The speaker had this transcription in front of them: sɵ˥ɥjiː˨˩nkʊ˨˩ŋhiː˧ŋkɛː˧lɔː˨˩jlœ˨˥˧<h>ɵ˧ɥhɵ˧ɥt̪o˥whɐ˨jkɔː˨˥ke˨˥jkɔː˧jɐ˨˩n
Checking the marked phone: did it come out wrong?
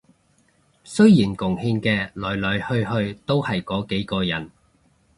no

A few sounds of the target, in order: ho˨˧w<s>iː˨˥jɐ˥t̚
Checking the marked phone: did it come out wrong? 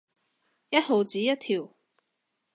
yes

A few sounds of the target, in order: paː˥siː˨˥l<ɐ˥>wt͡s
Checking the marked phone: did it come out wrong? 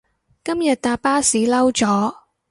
no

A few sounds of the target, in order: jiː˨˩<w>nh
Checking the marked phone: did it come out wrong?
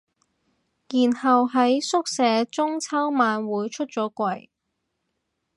yes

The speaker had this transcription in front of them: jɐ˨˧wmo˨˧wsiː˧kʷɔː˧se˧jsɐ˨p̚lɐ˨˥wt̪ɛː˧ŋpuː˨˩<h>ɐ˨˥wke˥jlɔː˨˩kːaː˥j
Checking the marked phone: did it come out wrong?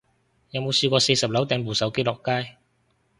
yes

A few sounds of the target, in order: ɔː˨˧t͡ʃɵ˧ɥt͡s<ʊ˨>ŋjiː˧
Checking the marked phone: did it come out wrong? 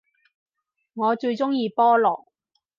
yes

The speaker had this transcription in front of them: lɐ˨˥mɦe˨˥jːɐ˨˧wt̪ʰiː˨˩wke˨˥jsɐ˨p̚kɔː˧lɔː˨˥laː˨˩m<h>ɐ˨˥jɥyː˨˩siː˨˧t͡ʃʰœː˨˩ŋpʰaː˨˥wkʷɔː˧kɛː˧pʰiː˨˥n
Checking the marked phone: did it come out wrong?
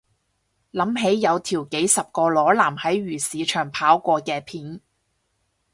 no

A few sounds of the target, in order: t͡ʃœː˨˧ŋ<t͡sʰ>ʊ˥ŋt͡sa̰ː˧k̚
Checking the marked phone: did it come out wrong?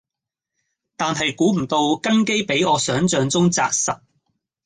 yes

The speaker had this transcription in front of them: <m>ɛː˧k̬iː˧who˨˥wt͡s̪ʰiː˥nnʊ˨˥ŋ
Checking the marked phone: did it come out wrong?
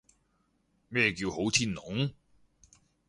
no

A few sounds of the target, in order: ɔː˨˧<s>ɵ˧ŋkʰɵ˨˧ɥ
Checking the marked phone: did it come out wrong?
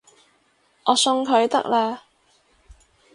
no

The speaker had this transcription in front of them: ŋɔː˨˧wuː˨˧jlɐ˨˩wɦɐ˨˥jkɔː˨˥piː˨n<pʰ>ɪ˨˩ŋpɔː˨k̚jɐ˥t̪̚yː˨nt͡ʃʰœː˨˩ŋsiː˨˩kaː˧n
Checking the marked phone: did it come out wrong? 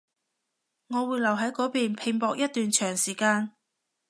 no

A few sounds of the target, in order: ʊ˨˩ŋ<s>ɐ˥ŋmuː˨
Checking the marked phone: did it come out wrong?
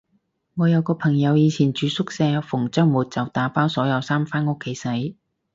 yes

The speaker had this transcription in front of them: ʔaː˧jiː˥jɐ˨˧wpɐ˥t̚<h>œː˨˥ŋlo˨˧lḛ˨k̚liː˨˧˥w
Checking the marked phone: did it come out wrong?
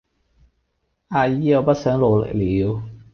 yes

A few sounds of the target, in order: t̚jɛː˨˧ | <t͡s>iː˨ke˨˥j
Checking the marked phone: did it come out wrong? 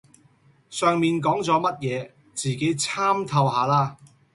no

